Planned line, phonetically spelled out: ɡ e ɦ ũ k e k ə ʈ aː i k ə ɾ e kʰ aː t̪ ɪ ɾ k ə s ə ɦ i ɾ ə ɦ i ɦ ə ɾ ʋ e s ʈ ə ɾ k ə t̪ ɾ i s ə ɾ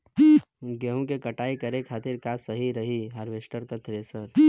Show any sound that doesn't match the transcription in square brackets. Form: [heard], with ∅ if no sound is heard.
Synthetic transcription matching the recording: ɡ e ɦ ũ k e k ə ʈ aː i k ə ɾ e kʰ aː t̪ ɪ ɾ k [a] s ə ɦ i ɾ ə ɦ i ɦ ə ɾ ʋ e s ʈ ə ɾ k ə t̪ ɾ [e] s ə ɾ